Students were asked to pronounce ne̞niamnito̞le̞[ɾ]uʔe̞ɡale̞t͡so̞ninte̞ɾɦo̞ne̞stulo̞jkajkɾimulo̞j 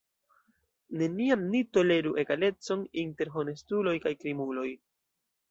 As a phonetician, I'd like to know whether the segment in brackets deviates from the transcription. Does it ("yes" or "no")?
no